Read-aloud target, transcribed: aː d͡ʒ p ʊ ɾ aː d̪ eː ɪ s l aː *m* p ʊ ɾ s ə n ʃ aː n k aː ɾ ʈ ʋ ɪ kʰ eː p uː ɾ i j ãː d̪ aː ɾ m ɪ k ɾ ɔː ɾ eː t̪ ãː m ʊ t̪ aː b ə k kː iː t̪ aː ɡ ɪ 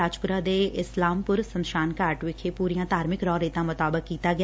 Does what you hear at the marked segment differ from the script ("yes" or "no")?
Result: no